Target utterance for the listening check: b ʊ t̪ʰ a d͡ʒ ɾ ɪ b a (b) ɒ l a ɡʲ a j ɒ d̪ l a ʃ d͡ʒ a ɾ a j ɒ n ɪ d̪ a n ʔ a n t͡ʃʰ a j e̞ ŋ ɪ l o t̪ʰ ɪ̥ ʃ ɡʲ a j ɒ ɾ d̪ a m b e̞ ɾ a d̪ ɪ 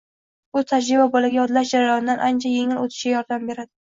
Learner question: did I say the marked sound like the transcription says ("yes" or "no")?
yes